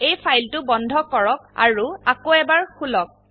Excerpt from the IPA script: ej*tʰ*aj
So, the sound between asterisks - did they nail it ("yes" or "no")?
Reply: no